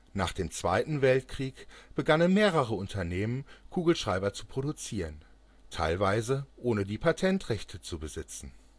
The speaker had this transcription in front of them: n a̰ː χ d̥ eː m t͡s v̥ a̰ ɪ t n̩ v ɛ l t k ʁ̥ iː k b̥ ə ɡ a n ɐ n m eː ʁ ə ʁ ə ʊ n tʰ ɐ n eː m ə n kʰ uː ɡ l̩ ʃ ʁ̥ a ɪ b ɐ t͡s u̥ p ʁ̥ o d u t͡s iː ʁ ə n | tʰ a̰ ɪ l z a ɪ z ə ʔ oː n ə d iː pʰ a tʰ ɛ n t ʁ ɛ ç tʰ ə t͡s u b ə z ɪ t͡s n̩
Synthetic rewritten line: n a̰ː χ d̥ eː m t͡s v̥ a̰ ɪ t n̩ v ɛ l t k ʁ̥ iː k b̥ ə ɡ a n ə n m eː ʁ ə ʁ ə ʊ n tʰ ɐ n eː m ə n kʰ uː ɡ l̩ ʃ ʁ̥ a ɪ b ɐ t͡s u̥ p ʁ̥ o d u t͡s iː ʁ ə n | tʰ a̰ ɪ l v a ɪ z ə ʔ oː n ə d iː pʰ a tʰ ɛ n t ʁ ɛ ç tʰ ə t͡s u b ə z ɪ t͡s n̩